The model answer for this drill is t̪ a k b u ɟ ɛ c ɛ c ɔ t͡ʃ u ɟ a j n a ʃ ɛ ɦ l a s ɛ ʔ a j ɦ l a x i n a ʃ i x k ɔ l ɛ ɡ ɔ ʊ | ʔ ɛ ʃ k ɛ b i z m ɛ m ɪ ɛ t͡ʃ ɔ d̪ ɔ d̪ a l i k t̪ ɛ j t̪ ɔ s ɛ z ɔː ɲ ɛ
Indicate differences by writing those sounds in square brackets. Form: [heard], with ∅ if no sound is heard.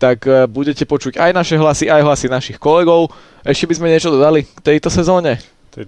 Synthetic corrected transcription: t̪ a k b u ɟ ɛ c ɛ [p] ɔ t͡ʃ u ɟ a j n a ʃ ɛ ɦ l a s [i] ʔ a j ɦ l a [s] i n a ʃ i x k ɔ l ɛ ɡ ɔ ʊ | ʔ ɛ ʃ [c] ɛ b i z m ɛ [ɲ] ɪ ɛ t͡ʃ ɔ d̪ ɔ d̪ a l i k t̪ ɛ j t̪ ɔ s ɛ z ɔː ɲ ɛ